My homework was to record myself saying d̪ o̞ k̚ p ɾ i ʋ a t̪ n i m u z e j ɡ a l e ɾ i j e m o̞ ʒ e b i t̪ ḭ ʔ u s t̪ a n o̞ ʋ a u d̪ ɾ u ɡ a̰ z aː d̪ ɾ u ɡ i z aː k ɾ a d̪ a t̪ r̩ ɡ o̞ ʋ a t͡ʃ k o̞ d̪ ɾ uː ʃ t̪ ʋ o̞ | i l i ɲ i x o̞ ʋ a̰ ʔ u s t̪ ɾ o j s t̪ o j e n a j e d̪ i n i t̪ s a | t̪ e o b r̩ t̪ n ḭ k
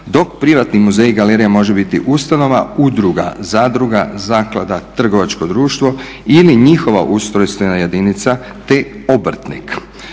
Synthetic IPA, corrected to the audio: d̪ o̞ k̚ p ɾ i ʋ a t̪ n i m u z e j ɡ a l e ɾ i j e m o̞ ʒ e b i t̪ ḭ ʔ u s t̪ a n o̞ ʋ a u d̪ ɾ u ɡ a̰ z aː d̪ ɾ u ɡ a z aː k l a d̪ a t̪ r̩ ɡ o̞ ʋ a t͡ʃ k o̞ d̪ ɾ uː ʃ t̪ ʋ o̞ | i l i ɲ i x o̞ ʋ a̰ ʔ u s t̪ ɾ o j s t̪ o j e n a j e d̪ i n i t̪ s a | t̪ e o b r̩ t̪ n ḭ k